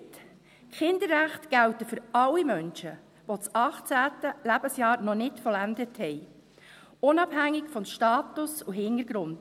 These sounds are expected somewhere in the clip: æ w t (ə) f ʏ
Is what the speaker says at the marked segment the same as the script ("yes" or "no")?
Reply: yes